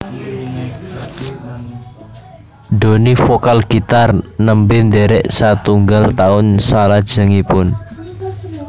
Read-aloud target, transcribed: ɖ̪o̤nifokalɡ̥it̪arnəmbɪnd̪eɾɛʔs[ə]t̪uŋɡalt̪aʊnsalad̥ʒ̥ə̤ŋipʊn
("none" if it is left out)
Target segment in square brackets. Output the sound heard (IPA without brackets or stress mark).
a